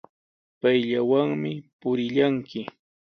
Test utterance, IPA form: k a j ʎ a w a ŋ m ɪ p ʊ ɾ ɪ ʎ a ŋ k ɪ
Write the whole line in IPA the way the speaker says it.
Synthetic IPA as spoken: p a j ʎ a w a ŋ m ɪ p ʊ ɾ ɪ ʎ a ŋ k ɪ